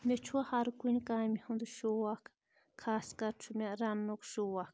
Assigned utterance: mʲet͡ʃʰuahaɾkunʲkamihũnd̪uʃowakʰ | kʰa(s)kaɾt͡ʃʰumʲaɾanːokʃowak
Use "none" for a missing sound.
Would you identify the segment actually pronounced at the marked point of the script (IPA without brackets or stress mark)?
s